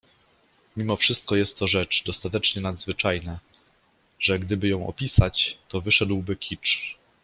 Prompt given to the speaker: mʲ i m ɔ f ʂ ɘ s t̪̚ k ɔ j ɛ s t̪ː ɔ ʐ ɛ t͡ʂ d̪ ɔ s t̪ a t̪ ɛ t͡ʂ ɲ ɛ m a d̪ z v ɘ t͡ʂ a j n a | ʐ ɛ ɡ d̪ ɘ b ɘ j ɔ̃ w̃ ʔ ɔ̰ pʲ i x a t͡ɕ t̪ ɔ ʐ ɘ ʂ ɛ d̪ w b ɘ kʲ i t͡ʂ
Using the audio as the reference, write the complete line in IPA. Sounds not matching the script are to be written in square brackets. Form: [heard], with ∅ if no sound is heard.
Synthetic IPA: mʲ i m ɔ f ʂ ɘ s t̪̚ k ɔ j ɛ s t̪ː ɔ ʐ ɛ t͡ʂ d̪ ɔ s t̪ a t̪ ɛ t͡ʂ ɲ ɛ [n] a d̪ z v ɘ t͡ʂ a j n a | ʐ ɛ ɡ d̪ ɘ b ɘ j ɔ̃ w̃ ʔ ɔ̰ pʲ i [s] a t͡ɕ t̪ ɔ [v] ɘ ʂ ɛ d̪ w b ɘ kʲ i t͡ʂ